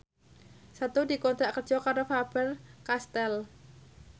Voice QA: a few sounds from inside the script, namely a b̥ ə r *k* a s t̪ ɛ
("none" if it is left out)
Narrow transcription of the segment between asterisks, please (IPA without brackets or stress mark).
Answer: k